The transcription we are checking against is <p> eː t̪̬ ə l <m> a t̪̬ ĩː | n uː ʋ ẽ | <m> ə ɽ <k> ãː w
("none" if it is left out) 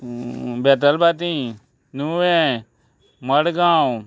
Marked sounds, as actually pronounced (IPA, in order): b, b, m, ɡ

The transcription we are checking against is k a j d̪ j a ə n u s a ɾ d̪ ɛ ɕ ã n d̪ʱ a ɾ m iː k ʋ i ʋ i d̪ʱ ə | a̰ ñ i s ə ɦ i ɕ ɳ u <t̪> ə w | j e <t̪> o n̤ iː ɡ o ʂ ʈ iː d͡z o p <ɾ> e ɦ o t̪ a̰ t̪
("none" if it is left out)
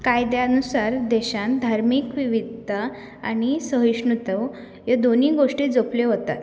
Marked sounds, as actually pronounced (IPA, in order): t̪, d̪, l

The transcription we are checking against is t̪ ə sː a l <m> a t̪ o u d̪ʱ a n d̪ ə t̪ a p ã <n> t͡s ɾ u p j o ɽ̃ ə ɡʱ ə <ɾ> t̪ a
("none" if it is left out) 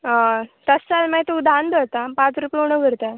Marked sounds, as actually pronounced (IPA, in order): m, none, ɾ

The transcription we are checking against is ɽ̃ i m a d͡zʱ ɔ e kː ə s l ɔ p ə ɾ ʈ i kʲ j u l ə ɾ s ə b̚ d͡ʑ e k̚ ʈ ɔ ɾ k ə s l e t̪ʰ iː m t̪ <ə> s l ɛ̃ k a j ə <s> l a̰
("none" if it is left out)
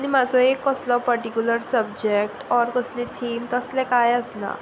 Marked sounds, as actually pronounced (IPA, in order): ə, s

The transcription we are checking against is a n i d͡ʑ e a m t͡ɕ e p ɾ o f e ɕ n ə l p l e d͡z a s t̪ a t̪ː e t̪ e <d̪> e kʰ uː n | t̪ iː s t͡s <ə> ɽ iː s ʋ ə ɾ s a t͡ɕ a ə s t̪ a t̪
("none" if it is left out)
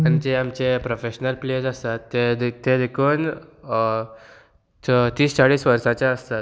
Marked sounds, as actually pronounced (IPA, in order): d̪, a

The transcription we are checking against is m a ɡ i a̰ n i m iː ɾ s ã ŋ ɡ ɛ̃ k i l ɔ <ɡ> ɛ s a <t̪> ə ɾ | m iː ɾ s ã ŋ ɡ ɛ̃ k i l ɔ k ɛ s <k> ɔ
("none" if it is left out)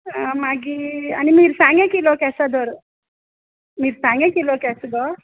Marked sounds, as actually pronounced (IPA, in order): k, d̪, ɡ

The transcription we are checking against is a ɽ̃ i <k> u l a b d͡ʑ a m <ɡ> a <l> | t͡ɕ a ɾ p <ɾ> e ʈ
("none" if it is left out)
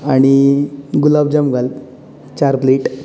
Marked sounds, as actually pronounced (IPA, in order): ɡ, ɡ, l, l

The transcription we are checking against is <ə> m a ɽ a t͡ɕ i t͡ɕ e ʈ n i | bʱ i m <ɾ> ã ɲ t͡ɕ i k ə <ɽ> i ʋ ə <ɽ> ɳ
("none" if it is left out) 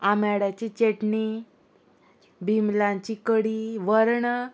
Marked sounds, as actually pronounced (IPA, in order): a, l, ɽ, ɾ

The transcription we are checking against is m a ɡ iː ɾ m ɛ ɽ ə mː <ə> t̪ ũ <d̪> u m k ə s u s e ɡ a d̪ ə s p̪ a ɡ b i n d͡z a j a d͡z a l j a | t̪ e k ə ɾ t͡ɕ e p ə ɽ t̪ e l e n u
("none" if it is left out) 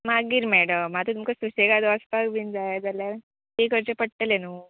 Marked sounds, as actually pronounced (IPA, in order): a, t̪

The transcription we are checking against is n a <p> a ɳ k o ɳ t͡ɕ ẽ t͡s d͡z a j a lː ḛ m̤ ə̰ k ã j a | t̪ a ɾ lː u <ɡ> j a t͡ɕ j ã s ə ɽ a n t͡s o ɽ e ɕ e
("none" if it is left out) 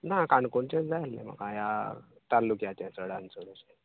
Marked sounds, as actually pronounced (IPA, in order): k, k

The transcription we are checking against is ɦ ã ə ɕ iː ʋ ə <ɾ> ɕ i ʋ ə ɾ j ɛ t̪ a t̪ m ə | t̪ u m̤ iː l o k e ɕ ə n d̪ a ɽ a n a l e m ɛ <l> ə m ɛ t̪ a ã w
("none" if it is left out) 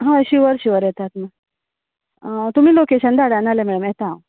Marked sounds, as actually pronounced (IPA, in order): ɾ, ɽ

